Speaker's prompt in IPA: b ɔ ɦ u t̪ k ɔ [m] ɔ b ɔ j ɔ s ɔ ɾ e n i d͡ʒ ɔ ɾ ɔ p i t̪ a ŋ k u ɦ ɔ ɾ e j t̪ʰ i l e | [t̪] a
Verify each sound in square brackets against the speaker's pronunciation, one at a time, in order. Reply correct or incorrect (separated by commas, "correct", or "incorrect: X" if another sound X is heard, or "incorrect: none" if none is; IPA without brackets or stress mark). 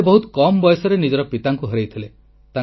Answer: correct, correct